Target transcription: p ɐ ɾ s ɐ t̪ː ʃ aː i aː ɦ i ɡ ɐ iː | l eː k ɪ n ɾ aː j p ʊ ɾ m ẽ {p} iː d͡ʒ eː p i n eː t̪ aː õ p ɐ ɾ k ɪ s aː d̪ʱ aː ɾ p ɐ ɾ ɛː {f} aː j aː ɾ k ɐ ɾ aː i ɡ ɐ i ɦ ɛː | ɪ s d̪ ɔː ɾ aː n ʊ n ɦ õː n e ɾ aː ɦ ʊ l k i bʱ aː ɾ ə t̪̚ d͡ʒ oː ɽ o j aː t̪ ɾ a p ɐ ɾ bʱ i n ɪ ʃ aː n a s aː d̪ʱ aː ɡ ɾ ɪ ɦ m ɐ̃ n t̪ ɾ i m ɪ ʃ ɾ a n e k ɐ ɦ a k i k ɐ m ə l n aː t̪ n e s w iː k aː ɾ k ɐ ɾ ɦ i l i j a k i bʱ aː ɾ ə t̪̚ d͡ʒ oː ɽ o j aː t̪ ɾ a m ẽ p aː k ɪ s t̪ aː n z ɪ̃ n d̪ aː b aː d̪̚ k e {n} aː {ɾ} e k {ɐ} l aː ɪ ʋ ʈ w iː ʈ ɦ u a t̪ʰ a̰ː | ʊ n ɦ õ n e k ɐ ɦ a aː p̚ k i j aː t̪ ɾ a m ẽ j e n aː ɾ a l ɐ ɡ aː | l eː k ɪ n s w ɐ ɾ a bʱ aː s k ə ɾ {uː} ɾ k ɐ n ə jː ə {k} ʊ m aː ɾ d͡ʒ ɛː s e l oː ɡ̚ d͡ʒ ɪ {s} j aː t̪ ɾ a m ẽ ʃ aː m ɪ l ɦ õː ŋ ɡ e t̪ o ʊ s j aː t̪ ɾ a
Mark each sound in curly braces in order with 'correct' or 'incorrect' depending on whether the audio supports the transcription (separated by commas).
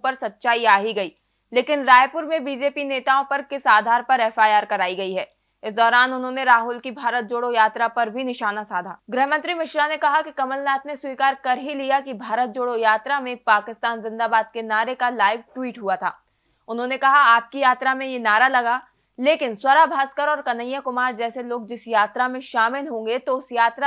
incorrect, correct, correct, correct, incorrect, incorrect, correct, correct